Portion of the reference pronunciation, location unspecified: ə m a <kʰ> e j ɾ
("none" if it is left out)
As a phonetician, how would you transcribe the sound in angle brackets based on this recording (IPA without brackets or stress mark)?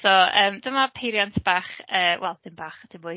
pʰ